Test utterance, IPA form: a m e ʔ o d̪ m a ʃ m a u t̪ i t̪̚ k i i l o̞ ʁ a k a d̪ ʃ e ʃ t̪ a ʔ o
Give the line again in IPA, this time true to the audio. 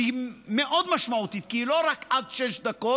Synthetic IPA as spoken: i m e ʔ o d̪ m a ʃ m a u t̪ i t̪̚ k i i l o̞ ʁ a k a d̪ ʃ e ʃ d̪ a k o